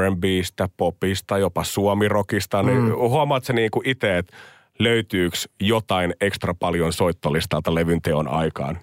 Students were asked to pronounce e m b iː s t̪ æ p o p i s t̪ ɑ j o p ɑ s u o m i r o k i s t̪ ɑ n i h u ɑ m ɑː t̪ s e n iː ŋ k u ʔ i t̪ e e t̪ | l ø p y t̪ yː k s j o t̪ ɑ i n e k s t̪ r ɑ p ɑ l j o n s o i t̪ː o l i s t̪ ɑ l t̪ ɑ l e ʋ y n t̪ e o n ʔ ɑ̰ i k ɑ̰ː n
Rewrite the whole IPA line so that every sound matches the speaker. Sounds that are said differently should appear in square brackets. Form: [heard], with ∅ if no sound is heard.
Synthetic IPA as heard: e m b iː s t̪ æ p o p i s t̪ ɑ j o p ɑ s u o m i r o k i s t̪ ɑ n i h u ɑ m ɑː t̪ s e n iː ŋ k u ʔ i t̪ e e t̪ | l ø [∅] y t̪ yː k s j o t̪ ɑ i n e k s t̪ r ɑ p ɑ l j o n s o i t̪ː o l i s t̪ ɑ l t̪ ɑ l e ʋ y n t̪ e o n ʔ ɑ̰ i k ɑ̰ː n